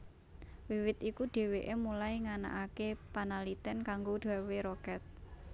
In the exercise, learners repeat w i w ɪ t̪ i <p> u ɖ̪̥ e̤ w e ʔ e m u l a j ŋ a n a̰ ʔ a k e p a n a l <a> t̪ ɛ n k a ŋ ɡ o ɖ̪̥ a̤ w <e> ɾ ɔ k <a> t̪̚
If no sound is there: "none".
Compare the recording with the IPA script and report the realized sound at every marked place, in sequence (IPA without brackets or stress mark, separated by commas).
k, i, e, ɛ